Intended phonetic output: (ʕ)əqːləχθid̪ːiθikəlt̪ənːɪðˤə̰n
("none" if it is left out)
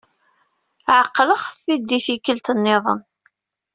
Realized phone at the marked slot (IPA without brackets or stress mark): ʕ